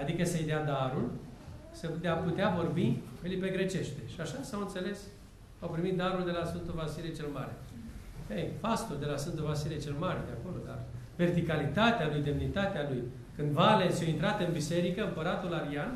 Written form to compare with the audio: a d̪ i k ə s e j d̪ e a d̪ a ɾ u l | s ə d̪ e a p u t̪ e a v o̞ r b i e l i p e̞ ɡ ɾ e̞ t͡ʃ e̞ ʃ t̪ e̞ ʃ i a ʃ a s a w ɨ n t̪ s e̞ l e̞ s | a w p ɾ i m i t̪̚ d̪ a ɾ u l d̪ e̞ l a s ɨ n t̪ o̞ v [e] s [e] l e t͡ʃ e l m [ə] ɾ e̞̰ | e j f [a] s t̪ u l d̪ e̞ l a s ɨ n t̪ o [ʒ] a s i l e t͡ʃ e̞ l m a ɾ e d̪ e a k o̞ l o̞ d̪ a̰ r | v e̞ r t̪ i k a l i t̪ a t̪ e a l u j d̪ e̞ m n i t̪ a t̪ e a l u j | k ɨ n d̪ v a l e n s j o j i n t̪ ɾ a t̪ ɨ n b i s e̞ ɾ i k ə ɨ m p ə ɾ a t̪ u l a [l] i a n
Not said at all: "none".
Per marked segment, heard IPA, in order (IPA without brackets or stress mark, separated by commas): a, i, a, a, v, ɾ